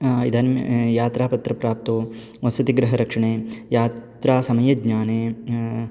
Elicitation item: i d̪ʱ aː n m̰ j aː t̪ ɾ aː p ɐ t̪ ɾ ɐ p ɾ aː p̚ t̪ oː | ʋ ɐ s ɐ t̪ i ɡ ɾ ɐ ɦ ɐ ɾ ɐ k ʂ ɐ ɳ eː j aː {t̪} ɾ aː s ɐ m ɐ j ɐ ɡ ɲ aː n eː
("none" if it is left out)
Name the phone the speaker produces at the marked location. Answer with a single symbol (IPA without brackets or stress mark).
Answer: t̪